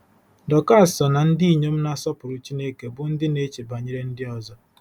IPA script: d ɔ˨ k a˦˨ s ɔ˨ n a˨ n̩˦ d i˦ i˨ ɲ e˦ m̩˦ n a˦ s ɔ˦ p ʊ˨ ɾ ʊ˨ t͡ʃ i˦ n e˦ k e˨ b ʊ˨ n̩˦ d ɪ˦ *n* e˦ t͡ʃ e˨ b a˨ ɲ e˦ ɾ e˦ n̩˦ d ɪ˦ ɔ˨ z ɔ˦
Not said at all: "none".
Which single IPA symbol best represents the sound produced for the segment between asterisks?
n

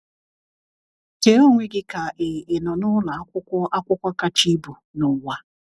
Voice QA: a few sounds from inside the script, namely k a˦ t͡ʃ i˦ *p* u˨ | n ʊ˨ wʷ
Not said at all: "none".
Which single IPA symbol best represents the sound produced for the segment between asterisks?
b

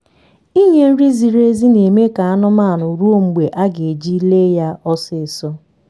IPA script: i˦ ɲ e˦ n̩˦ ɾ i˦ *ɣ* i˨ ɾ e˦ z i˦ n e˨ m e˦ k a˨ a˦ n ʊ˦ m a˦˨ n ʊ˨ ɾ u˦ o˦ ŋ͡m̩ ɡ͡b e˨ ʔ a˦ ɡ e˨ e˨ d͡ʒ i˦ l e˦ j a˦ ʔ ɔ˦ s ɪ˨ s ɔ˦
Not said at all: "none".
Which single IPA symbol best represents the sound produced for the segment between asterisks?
z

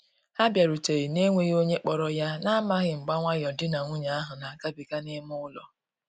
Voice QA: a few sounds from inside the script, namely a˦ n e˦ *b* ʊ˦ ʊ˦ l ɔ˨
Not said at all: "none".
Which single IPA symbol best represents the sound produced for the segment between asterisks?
m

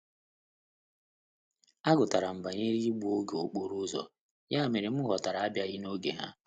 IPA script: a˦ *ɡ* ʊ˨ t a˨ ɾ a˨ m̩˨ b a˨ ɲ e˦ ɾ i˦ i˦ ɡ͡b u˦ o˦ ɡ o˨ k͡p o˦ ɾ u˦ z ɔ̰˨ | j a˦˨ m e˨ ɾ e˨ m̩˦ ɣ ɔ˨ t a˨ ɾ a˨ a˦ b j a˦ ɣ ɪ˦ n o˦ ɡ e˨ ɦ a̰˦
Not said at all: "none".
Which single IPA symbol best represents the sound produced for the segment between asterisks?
ɡ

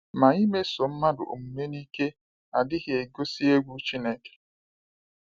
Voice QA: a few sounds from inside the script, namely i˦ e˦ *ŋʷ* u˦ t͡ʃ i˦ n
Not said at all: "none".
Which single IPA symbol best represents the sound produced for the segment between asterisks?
ɡʷ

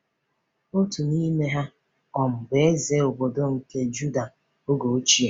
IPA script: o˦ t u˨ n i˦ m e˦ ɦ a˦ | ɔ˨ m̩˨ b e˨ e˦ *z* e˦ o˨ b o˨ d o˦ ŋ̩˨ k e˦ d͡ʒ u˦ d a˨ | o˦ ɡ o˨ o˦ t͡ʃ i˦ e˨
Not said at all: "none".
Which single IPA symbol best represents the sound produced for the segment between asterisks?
z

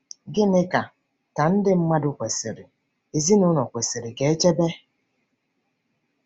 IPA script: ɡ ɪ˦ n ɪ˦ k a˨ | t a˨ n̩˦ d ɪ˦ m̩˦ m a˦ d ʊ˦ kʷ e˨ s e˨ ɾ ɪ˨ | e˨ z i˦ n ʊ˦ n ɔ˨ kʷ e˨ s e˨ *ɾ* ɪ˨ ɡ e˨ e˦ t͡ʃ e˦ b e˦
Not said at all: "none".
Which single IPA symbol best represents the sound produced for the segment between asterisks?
ɾ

